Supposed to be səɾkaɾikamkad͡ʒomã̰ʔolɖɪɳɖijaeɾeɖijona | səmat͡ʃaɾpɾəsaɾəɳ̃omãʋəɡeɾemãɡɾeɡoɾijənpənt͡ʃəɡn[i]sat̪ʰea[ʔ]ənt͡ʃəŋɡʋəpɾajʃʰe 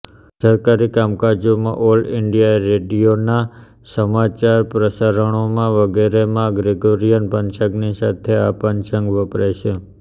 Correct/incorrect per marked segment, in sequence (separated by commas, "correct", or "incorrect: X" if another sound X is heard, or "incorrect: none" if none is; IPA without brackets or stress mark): correct, incorrect: p